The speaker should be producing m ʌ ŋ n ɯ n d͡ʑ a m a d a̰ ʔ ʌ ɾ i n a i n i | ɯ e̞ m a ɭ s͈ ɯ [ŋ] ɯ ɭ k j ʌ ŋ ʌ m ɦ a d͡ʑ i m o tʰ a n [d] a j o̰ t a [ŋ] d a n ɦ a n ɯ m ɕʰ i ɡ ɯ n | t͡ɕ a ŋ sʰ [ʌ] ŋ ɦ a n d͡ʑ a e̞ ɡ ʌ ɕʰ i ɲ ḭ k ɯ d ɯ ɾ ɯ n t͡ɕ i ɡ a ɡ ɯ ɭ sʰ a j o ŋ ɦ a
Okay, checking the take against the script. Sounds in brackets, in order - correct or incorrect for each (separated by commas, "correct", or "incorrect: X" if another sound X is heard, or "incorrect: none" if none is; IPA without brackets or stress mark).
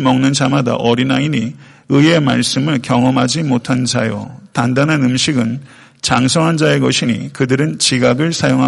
incorrect: m, incorrect: d͡ʑ, incorrect: n, correct